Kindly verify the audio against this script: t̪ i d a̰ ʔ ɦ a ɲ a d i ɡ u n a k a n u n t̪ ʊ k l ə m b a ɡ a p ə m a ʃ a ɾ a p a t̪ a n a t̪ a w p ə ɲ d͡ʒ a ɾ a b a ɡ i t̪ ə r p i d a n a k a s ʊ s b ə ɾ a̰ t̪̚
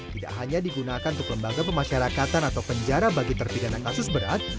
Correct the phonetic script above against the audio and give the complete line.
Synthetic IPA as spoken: t̪ i d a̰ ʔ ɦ a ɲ a d i ɡ u n a k a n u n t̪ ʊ k l ə m b a ɡ a p ə m a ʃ a ɾ a k a t̪ a n a t̪ a w p ə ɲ d͡ʒ a ɾ a b a ɡ i t̪ ə r p i d a n a k a s ʊ s b ə ɾ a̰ t̪̚